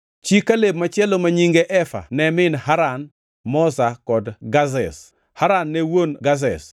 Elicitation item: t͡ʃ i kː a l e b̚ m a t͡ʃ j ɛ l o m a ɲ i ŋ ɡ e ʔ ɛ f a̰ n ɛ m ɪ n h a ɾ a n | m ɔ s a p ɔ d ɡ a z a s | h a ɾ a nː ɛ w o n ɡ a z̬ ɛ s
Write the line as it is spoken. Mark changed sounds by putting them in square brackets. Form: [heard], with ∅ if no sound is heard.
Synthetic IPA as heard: t͡ʃ i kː a l e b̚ m a t͡ʃ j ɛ l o m a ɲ i ŋ ɡ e ʔ ɛ f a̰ n ɛ m ɪ n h a ɾ a n | m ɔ s a [k] ɔ d ɡ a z [ɛ] s | h a ɾ a nː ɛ w o n ɡ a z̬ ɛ s